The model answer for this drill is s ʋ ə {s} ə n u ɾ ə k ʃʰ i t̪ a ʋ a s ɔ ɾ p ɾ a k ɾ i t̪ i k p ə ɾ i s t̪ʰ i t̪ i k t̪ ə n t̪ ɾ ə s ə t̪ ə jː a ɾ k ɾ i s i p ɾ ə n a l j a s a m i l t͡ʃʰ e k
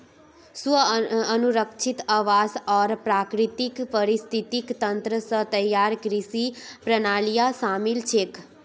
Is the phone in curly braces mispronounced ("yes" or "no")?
yes